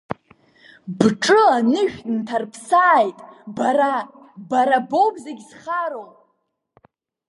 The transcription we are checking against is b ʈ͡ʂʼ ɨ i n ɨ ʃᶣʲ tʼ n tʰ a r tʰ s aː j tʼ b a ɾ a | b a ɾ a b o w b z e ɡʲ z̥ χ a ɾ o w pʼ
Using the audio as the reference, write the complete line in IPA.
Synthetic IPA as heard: b ʈ͡ʂʼ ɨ a n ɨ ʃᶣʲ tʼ n tʰ a r pʰ s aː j tʼ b a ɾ a | b a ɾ a b o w b z e ɡʲ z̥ χ a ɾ o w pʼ